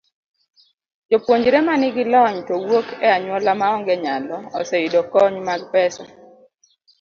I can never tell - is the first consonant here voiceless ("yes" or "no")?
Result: no